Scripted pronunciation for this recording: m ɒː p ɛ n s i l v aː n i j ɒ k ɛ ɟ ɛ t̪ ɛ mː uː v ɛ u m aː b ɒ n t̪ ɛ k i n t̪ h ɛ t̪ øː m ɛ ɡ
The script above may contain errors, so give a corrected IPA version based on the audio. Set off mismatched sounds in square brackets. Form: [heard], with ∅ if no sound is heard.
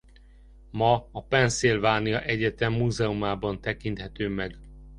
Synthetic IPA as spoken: m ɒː p ɛ n s i l v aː n i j ɒ [ʔ] ɛ ɟ ɛ t̪ ɛ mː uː [z] ɛ u m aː b ɒ n t̪ ɛ k i n t̪ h ɛ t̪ øː m ɛ ɡ